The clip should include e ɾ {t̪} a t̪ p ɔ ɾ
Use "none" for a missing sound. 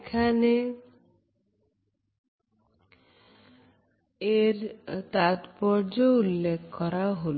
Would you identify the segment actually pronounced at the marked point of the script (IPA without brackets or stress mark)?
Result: t̪